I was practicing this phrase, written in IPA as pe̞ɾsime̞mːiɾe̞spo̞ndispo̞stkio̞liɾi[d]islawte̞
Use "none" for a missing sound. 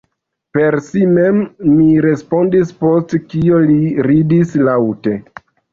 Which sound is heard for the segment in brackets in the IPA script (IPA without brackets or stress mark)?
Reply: d